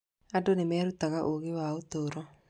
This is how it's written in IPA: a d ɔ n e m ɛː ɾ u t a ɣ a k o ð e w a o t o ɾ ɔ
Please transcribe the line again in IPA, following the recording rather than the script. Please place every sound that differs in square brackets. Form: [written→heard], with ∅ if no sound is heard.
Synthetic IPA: a d [ɔ→o] n e m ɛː ɾ u t a ɣ a [k→ʔ] o [ð→ɣ] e w a o t o ɾ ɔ

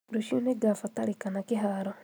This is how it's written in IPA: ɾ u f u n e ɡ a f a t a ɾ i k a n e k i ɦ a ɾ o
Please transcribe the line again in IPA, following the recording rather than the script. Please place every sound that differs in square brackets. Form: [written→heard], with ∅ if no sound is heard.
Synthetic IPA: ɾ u [f→ʃ] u n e ɡ a f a t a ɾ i k a n [e→a] k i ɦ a ɾ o

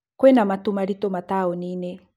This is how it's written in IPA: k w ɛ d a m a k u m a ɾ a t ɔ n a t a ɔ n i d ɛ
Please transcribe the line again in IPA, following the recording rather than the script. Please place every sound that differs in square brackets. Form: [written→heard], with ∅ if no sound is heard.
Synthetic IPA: k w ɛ [d→n] a m a [k→t] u m a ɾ [a→i] t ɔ [n→m] a t a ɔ n i [d→n] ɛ

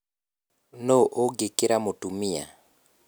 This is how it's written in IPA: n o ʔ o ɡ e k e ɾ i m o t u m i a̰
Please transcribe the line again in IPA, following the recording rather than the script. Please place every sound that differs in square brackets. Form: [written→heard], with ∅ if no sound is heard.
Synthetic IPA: n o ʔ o ɡ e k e ɾ [i→a] m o t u m i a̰

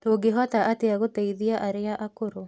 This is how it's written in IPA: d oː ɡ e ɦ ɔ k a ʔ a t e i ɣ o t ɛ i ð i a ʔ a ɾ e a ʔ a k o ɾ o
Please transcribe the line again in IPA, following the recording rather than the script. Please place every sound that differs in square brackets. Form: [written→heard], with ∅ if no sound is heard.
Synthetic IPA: [d→t] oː ɡ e ɦ ɔ [k→t] a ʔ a t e [i→a] ɣ o t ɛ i ð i a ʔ a ɾ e a ʔ a k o ɾ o

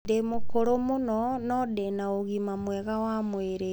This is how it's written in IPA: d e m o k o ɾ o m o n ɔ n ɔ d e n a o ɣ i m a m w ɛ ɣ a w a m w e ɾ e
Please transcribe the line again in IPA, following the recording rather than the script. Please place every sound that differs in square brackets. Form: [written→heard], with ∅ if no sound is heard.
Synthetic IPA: d e m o k o ɾ o m o n ɔ n ɔ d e n a o ɣ i m a m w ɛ ɣ a w a m w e ɾ e

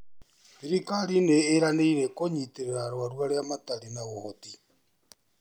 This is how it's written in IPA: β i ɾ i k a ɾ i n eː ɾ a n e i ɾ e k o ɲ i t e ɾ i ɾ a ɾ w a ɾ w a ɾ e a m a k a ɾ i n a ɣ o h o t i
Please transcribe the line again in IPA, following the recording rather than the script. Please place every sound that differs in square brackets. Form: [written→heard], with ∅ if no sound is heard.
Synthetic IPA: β i ɾ i k a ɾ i n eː ɾ a n e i ɾ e k o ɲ i t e ɾ [i→e] ɾ a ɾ w a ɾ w a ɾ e a m a [k→t] a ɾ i n a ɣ o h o t i

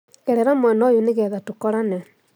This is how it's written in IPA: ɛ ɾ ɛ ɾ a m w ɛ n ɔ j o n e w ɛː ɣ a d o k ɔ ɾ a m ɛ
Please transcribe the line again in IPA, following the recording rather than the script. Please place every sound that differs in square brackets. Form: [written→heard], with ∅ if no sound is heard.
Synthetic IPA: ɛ ɾ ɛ ɾ a m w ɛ n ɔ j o n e [w→ɣ] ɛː [ɣ→ð] a [d→t] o k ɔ ɾ a [m→n] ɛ

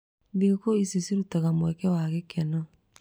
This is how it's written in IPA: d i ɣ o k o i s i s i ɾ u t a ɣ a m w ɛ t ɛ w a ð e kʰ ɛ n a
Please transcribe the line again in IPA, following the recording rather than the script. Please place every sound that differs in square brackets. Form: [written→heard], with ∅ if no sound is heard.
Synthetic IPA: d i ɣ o k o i s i s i ɾ u t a ɣ a m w ɛ [t→k] ɛ w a [ð→ɣ] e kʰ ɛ n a

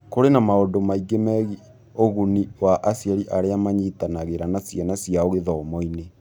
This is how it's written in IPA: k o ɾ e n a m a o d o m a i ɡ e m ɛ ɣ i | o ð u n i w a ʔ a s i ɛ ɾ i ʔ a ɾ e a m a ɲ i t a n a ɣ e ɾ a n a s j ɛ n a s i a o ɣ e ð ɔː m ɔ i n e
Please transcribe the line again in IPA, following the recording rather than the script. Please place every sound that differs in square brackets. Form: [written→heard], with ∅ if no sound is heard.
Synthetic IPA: k o ɾ e n a m a o d o m a i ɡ e m ɛ ɣ i | o [ð→ɣ] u n i w a ʔ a s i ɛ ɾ i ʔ a ɾ e a m a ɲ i t a n a ɣ e ɾ a n a s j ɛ n a s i a o ɣ e ð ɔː m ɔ i n e

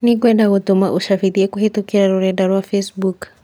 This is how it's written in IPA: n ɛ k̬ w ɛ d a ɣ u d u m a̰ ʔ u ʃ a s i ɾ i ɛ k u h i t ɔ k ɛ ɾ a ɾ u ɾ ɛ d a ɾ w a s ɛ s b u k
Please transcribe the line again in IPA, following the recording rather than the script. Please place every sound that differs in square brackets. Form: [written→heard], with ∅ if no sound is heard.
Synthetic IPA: n [ɛ→i] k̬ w ɛ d a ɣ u [d→t] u m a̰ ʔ u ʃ a [s→f] i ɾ i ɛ k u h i t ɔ k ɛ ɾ a ɾ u ɾ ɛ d a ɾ w a [s→f] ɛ s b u k

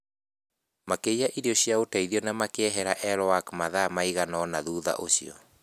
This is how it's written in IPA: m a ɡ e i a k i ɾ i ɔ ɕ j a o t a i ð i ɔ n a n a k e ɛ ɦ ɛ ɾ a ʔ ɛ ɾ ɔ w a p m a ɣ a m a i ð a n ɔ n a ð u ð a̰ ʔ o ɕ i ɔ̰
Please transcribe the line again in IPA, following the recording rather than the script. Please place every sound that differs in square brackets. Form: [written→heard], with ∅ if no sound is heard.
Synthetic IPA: m a [ɡ→k] e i a [k→ʔ] i ɾ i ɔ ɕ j a o t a i ð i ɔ n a [n→m] a k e ɛ ɦ ɛ ɾ a ʔ ɛ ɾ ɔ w a [p→k] m a [ɣ→ð] a m a i [ð→ɣ] a n ɔ n a ð u ð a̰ ʔ o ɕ i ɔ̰

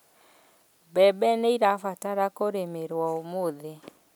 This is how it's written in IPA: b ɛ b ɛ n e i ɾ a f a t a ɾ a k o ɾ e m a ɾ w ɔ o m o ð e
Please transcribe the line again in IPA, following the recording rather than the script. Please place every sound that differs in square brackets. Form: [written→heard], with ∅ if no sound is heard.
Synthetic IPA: b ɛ b ɛ n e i ɾ a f a t a ɾ a k o ɾ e m [a→e] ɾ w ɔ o m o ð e

